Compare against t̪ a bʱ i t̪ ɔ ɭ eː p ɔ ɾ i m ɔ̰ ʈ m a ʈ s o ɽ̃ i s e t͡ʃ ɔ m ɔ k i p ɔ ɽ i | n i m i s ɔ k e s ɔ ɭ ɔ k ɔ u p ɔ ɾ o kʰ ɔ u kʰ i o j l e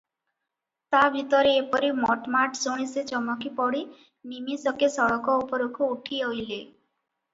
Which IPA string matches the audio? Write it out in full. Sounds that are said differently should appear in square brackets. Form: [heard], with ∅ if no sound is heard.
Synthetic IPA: t̪ a bʱ i t̪ ɔ [ɾ] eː p ɔ ɾ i m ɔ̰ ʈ m a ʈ s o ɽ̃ i s e t͡ʃ ɔ m ɔ k i p ɔ ɽ i | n i m i s ɔ k e s ɔ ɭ ɔ k ɔ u p ɔ ɾ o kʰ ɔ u [ʈʰ] i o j l e